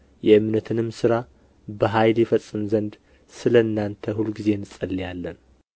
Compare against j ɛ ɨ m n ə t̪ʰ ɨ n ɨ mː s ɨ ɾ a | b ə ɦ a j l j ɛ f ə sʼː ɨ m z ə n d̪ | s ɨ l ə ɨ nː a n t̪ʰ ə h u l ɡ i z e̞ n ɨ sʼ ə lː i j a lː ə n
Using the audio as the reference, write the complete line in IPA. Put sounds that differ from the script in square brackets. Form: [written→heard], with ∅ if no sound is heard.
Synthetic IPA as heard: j ɛ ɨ m n ə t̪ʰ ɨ n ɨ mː s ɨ ɾ a | b ə ɦ a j l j ɛ f ə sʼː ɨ m z ə n d̪ | s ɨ l ə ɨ nː a n t̪ʰ ə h u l ɡ i z e̞ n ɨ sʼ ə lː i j a lː ə n